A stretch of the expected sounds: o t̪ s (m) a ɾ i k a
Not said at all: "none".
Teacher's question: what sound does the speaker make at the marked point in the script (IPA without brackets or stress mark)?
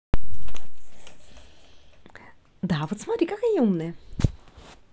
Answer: m